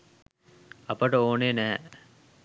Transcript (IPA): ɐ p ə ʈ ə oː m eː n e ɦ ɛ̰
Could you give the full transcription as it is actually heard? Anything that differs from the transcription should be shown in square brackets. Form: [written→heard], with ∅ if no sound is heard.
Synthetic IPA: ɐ p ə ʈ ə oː [m→n] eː n [e→æ] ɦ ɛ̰